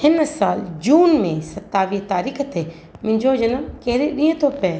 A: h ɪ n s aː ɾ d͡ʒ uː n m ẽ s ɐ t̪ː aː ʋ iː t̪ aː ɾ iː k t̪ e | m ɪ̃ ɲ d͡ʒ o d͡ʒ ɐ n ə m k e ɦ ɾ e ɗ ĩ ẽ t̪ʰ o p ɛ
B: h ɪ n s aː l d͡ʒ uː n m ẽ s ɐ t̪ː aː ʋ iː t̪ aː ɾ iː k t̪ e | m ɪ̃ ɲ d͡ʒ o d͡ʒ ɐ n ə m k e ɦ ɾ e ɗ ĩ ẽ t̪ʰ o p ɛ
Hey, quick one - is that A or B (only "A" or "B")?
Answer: B